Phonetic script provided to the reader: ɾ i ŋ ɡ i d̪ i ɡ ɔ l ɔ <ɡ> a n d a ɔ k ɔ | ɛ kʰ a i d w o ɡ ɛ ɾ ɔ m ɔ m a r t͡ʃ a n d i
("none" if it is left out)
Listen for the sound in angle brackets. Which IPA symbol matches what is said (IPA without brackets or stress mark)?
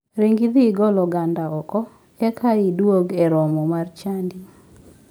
ɡ